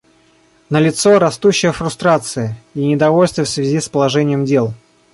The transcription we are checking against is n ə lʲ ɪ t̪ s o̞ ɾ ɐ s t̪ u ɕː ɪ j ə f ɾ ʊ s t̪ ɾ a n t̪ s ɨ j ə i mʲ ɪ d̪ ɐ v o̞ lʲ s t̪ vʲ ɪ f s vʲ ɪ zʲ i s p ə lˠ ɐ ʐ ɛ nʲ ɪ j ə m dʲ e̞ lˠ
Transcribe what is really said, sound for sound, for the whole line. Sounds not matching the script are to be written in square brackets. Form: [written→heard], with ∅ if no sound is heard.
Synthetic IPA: n ə lʲ ɪ t̪ s o̞ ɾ ɐ s t̪ u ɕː ɪ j ə f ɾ ʊ s t̪ ɾ a [n→∅] t̪ s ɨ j ə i [mʲ→nʲ] ɪ d̪ ɐ v o̞ lʲ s t̪ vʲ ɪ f s vʲ ɪ zʲ i s p ə lˠ ɐ ʐ ɛ nʲ ɪ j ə m dʲ e̞ lˠ